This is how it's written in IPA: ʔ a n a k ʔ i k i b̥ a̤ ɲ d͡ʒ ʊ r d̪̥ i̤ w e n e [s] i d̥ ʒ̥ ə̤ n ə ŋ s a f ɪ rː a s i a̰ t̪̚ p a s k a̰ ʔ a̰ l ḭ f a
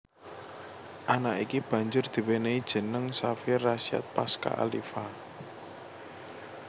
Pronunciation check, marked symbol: incorrect: none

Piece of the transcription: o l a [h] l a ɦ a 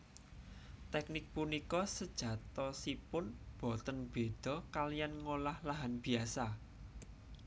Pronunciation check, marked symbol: correct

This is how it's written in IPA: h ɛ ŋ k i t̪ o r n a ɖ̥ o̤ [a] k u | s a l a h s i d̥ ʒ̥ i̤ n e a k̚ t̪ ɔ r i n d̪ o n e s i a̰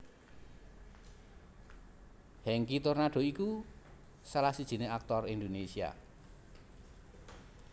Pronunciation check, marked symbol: incorrect: i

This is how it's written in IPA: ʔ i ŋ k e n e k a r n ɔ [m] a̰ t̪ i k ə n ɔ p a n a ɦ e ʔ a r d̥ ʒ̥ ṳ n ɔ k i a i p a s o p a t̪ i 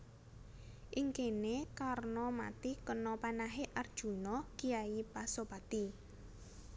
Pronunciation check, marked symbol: correct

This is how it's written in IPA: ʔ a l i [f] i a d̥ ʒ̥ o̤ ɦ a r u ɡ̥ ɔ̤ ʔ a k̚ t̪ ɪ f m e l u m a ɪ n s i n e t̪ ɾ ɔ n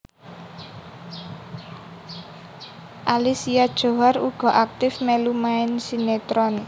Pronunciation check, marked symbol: incorrect: s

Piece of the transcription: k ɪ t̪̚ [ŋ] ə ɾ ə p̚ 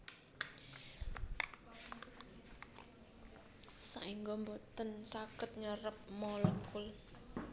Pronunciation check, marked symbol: incorrect: ɲ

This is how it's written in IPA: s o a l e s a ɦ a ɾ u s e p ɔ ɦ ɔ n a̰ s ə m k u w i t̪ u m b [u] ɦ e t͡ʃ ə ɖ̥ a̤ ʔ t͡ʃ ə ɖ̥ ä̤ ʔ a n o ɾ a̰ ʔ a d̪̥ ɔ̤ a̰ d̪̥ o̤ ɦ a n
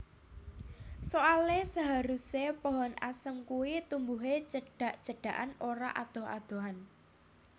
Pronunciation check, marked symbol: correct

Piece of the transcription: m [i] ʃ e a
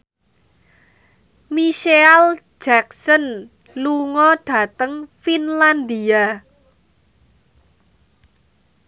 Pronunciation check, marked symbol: correct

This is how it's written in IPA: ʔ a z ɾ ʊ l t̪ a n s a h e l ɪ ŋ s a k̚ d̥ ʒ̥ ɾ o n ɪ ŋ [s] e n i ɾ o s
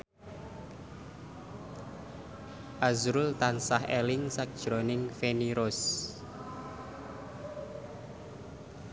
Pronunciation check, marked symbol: incorrect: f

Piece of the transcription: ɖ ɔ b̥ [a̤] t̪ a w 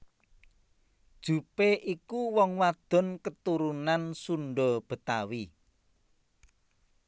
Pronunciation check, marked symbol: incorrect: ə̤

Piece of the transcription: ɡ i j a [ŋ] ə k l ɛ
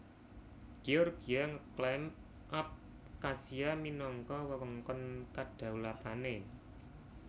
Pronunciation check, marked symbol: correct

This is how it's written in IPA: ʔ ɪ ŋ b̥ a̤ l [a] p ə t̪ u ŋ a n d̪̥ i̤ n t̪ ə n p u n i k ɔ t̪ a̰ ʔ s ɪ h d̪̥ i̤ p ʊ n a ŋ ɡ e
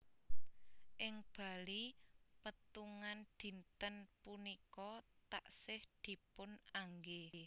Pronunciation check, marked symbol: incorrect: i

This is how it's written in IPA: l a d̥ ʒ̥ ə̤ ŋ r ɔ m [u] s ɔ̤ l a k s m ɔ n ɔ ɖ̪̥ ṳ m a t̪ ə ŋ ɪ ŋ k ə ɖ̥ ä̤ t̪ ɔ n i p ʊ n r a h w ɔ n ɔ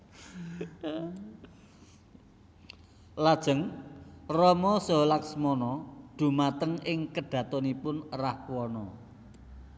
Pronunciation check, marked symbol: incorrect: ɔ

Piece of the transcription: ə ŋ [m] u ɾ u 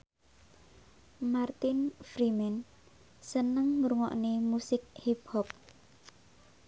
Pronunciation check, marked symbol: correct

